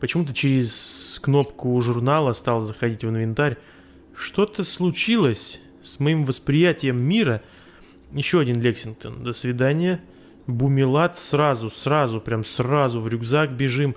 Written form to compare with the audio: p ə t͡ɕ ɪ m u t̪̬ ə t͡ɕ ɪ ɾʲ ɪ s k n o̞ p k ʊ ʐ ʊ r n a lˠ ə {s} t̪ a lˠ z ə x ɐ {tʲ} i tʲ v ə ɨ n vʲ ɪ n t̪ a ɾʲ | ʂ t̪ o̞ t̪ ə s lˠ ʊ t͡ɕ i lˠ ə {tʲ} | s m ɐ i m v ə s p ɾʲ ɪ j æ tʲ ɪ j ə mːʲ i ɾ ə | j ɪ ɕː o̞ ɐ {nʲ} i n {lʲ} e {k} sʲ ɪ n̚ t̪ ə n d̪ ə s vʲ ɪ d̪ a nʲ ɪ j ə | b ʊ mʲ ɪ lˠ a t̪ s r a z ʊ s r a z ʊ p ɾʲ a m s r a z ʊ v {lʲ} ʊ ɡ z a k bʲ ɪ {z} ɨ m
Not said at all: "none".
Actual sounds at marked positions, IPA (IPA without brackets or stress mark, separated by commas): s, dʲ, sʲ, dʲ, lʲ, k, ɾʲ, ʐ